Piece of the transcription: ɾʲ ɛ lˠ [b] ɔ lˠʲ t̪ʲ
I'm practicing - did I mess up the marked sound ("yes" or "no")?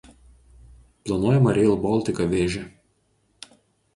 no